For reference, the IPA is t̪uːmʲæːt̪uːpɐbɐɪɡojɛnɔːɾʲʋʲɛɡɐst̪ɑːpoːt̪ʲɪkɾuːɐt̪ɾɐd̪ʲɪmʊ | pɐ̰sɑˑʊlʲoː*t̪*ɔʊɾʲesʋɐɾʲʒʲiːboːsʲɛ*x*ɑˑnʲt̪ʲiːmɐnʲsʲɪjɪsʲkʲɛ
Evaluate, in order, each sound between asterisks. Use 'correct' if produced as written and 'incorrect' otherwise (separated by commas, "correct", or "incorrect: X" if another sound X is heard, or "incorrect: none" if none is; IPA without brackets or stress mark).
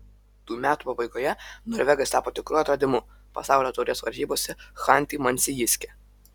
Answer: correct, correct